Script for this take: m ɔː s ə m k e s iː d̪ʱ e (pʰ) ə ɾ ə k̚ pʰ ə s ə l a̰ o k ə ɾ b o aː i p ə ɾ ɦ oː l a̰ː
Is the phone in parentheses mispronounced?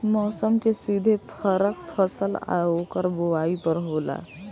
no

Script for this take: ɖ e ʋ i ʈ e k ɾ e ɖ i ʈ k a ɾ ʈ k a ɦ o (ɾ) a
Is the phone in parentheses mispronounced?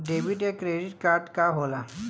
yes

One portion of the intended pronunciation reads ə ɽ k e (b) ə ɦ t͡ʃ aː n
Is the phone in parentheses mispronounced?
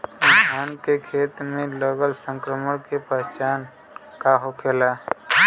yes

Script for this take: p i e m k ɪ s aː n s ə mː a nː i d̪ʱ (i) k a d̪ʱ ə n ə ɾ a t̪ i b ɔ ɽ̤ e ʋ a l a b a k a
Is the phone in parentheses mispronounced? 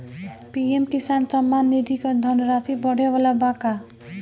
no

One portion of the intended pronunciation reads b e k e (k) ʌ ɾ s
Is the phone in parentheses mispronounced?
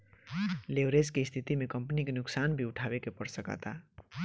yes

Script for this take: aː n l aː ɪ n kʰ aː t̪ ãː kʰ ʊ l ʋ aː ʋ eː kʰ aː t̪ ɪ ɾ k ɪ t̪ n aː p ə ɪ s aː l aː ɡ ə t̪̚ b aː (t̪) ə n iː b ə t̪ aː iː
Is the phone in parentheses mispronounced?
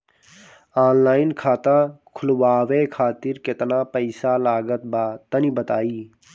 no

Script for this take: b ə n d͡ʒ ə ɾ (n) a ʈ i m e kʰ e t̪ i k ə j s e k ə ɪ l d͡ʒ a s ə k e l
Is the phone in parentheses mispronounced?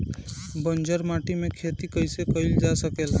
yes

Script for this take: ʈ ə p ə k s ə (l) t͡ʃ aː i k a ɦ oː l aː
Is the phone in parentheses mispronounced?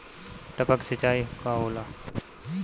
yes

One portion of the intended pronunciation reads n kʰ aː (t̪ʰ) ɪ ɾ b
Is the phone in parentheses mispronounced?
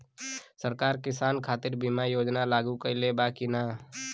yes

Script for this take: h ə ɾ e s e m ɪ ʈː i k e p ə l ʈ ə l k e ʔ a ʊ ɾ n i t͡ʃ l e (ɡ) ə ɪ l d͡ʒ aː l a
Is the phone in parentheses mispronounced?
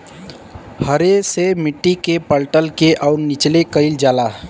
yes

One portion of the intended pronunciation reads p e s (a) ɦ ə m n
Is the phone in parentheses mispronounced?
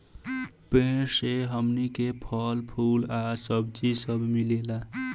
yes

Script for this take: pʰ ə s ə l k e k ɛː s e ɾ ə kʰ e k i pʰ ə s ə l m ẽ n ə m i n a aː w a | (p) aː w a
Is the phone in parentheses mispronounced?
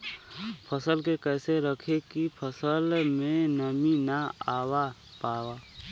no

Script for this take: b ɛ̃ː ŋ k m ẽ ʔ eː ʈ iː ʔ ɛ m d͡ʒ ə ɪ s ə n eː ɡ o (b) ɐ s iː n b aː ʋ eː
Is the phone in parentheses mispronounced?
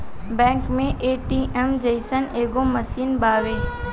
yes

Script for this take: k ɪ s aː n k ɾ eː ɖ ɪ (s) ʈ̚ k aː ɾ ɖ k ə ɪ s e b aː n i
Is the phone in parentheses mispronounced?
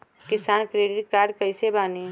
yes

